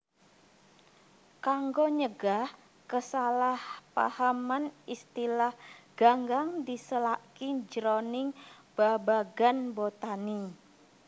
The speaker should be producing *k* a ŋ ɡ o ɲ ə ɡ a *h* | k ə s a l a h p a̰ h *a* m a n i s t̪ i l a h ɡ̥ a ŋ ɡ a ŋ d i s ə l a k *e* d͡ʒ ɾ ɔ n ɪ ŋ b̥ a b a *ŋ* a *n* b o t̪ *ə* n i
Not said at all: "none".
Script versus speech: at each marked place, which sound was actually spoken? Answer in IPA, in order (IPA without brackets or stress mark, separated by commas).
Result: k, h, a, i, ɡ, n, a